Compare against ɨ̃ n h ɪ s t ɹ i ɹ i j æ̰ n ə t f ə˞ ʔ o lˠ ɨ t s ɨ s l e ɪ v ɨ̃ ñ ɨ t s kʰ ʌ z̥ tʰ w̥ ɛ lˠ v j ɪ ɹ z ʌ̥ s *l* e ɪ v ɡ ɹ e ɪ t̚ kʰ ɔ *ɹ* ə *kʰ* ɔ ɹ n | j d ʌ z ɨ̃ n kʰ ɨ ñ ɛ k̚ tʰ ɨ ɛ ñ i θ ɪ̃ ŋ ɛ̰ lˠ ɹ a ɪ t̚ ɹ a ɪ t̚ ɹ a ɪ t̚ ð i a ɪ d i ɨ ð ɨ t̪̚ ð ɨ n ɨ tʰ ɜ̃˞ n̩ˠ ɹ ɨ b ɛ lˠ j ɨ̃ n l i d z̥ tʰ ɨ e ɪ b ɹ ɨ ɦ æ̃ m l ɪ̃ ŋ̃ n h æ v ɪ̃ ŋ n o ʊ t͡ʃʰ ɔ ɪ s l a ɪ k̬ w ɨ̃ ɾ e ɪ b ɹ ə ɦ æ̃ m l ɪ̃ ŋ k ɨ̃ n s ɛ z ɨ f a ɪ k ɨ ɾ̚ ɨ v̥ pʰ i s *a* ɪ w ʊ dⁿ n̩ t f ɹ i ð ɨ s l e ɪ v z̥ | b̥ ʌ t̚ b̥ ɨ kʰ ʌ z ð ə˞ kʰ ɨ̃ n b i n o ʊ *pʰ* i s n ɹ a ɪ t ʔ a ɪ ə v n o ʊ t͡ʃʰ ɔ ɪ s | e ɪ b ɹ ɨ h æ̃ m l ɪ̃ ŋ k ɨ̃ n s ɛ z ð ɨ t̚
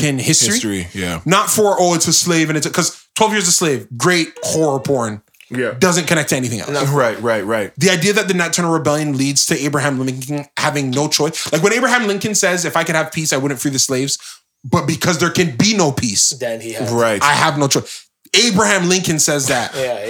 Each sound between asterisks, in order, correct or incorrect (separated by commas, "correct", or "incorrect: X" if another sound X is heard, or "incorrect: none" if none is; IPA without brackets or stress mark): correct, correct, incorrect: pʰ, correct, correct